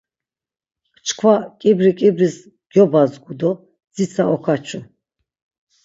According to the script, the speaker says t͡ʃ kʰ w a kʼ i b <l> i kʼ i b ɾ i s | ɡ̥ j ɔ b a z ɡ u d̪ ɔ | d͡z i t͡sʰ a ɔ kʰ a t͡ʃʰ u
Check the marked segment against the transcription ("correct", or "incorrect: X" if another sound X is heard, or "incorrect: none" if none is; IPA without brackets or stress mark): incorrect: ɾ